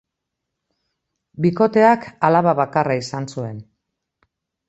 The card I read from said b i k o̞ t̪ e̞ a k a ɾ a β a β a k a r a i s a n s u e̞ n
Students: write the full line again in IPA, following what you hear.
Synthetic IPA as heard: b i k o̞ t̪ e̞ a k a l a β a β a k a r a i s a n s u e̞ n